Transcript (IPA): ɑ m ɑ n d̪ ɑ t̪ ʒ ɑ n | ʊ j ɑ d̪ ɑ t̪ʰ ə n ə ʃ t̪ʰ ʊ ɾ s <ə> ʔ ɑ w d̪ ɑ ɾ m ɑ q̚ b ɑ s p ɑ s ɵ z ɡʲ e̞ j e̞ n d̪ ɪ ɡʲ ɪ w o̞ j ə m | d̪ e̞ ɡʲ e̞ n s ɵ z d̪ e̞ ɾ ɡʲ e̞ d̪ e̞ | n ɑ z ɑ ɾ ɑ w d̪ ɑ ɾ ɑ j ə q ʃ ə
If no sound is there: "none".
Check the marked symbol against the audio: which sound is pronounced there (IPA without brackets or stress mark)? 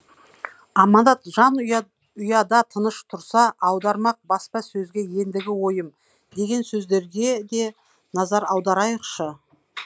ɑ